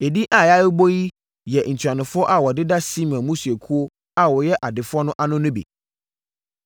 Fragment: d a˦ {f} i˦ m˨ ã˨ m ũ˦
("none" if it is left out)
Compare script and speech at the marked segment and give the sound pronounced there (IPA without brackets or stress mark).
s